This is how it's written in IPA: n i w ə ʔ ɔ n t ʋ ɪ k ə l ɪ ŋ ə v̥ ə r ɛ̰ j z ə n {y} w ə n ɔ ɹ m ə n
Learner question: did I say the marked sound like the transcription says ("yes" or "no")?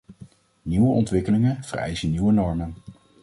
no